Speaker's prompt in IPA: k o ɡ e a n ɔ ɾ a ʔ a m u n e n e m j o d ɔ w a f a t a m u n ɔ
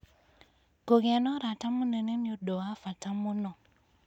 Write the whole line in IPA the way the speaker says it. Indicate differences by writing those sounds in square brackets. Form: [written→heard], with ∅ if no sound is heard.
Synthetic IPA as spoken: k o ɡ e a n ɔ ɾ a [ʔ→t] a m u n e n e m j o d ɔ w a f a t a m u n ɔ